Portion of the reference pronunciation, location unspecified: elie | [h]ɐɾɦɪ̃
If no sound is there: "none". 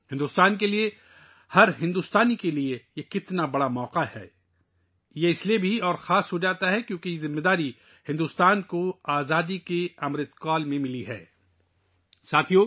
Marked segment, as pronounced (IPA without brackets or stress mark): h